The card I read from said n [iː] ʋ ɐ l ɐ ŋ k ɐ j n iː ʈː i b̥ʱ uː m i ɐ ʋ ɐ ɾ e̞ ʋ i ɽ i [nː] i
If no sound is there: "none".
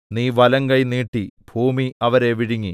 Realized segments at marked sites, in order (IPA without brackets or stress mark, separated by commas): iː, ŋː